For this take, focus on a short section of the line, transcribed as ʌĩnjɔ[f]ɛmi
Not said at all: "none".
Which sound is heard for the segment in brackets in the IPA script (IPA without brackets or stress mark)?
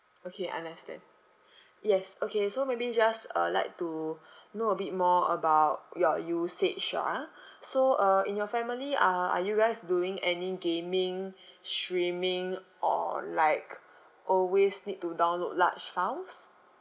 f